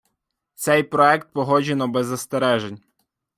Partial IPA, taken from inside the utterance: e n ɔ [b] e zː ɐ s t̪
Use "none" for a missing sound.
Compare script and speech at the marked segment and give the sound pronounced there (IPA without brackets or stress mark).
b